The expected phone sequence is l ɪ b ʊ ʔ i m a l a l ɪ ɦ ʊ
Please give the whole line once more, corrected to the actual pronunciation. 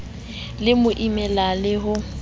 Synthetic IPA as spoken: l ɪ m ʊ ʔ i m ɛ l a l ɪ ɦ ʊ